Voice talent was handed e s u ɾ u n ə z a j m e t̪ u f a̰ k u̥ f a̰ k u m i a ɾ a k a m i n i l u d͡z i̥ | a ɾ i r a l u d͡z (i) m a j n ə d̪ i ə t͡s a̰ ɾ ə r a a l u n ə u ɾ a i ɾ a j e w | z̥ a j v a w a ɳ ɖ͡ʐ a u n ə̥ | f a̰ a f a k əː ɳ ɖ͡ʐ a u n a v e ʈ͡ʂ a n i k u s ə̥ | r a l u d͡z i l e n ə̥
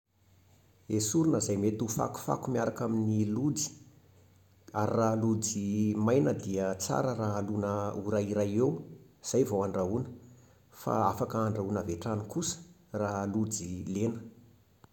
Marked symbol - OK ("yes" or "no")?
yes